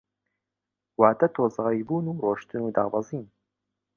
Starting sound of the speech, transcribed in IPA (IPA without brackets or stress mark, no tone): w